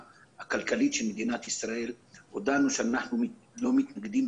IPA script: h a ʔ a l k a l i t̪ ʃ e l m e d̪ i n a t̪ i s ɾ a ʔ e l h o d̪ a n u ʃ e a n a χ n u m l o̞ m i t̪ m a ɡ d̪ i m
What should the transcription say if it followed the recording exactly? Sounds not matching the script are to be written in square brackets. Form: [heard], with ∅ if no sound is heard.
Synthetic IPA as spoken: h a [k] a l k a l i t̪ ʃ e l m e d̪ i n a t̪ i s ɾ a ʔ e l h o d̪ a n u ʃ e a n a [ħ] n u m l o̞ m i t̪ [n] a ɡ d̪ i m